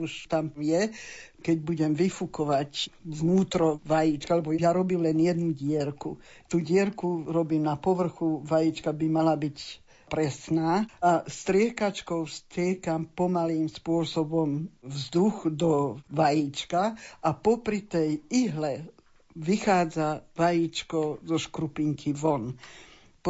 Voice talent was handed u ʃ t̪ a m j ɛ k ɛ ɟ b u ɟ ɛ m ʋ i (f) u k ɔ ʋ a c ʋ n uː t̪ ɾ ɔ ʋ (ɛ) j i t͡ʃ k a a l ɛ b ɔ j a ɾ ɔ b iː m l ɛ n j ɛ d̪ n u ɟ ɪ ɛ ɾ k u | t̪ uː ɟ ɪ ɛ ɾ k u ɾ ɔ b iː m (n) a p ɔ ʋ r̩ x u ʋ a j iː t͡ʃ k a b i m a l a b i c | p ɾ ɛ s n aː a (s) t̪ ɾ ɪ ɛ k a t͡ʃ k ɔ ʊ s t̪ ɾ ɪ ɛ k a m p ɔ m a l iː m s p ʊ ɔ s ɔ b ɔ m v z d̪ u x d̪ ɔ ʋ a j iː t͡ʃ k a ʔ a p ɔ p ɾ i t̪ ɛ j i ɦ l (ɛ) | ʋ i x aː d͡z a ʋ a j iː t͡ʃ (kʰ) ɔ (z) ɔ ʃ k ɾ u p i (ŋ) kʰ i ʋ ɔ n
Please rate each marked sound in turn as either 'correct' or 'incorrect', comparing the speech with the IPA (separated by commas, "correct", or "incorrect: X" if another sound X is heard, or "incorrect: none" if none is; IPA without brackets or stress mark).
correct, incorrect: a, correct, correct, correct, incorrect: k, correct, correct